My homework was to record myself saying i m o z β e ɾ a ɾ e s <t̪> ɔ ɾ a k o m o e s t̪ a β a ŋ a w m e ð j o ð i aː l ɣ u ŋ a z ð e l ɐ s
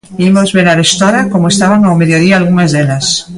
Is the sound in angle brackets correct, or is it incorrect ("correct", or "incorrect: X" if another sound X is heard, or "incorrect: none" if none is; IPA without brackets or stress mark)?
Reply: correct